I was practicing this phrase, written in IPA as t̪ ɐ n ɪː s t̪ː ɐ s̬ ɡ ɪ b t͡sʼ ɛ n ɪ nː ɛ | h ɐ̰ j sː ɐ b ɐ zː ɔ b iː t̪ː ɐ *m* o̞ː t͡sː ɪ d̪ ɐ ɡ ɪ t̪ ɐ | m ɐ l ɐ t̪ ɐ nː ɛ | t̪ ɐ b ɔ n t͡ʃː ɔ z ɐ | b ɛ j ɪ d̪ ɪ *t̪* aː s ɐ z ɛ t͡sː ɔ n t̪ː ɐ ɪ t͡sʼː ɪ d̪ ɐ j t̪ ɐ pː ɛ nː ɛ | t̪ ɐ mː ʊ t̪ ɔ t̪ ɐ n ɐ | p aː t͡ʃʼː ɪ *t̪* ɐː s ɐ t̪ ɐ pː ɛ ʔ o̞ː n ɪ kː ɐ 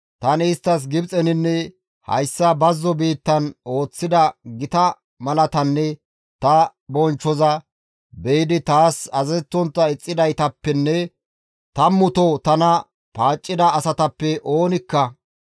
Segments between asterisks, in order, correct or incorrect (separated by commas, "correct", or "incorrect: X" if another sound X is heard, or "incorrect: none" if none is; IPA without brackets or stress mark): incorrect: n, correct, incorrect: d̪